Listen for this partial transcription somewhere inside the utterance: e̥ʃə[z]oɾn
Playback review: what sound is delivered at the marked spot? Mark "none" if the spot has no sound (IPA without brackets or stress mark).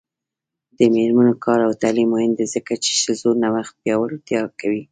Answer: z